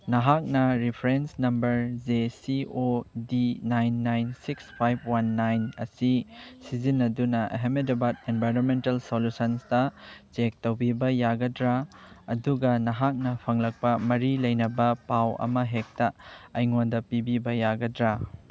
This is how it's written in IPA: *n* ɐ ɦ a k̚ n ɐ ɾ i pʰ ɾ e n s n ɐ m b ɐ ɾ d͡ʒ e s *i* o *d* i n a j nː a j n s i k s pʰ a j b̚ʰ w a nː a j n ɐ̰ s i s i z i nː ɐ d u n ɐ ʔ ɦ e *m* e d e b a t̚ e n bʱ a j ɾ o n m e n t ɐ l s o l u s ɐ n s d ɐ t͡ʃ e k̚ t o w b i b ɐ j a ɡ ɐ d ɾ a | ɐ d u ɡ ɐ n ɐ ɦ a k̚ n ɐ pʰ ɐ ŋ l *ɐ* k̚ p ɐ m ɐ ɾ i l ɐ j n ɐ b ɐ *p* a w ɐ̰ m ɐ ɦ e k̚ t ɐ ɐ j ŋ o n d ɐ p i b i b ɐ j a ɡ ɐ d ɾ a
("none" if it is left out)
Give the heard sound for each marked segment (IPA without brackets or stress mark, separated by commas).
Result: n, i, d, m, ɐ, p